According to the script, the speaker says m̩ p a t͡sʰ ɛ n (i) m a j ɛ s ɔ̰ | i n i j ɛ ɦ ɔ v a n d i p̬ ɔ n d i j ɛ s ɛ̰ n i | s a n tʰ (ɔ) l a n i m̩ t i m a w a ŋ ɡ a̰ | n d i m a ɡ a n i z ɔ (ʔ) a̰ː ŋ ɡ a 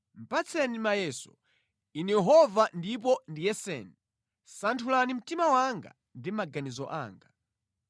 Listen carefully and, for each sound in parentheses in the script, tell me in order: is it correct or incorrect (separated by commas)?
correct, incorrect, correct